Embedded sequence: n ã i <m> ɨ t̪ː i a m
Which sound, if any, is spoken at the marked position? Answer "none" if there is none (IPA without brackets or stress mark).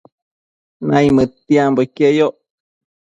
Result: m